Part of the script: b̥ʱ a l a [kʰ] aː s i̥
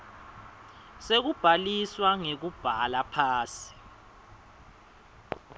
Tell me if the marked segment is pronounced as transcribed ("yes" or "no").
no